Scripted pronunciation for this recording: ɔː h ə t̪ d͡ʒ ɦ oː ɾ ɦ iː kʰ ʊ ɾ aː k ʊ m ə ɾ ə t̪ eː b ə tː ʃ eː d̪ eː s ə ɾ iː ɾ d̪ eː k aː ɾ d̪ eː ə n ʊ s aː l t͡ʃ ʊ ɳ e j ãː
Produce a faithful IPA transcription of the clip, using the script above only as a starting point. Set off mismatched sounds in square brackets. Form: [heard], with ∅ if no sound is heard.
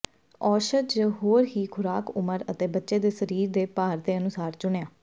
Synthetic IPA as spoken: ɔː [ʃ] ə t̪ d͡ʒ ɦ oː ɾ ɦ iː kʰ ʊ ɾ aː k ʊ m ə ɾ ə t̪ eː b ə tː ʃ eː d̪ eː s ə ɾ iː ɾ d̪ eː [p] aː ɾ d̪ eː ə n ʊ s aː [ɾ] t͡ʃ ʊ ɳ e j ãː